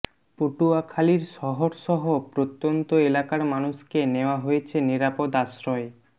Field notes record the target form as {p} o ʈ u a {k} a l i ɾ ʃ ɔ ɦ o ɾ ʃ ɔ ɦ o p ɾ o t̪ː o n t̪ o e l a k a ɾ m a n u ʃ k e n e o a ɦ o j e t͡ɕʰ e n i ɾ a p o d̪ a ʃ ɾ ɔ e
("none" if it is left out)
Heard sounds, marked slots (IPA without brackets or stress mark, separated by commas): p, kʰ